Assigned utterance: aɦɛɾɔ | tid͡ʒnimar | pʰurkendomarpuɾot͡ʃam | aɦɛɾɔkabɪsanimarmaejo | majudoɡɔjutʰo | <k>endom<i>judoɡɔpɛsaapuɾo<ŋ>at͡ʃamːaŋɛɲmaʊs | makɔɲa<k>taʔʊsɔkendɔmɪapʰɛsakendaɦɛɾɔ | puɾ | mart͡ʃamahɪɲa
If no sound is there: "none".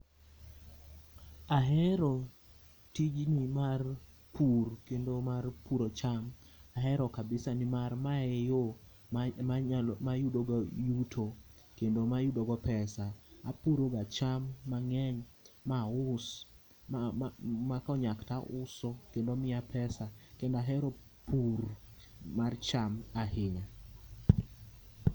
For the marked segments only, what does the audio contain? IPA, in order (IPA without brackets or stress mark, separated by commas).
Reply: k, a, ɡ, k